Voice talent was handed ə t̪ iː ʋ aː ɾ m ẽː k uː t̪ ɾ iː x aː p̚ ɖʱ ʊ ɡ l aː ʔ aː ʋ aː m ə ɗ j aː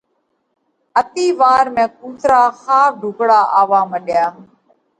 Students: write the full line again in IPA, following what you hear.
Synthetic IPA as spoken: ə t̪ iː ʋ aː ɾ m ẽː k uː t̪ ɾ aː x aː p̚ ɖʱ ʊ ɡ ɽ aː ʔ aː ʋ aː m ə ɗ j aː